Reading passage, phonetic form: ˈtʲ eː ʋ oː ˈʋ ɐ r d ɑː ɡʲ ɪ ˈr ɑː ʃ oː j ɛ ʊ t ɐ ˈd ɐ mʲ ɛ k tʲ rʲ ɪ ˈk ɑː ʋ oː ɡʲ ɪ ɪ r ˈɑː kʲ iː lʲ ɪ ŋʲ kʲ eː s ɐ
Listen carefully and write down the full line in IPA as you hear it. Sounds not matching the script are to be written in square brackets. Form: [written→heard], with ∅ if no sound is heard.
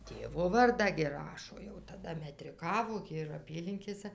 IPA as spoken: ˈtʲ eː ʋ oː ˈʋ ɐ r d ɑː ɡʲ ɪ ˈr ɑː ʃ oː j ɛ ʊ t ɐ ˈd ɐ mʲ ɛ [k→∅] tʲ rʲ ɪ ˈk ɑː ʋ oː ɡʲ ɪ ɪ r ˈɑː [kʲ→pʲ] iː lʲ ɪ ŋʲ kʲ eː s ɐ